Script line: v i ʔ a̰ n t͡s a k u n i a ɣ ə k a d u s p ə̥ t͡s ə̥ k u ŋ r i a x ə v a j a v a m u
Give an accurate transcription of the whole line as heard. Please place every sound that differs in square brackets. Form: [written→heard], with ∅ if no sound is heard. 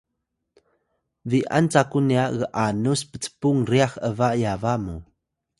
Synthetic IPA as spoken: v i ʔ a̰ n t͡s a k u n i a ɣ ə [k→ʔ] a [d→n] u s p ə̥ t͡s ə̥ [k→p] u ŋ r i a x ə v a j a v a m u